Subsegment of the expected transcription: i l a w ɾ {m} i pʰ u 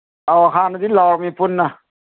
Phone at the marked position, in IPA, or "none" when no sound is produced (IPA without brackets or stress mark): m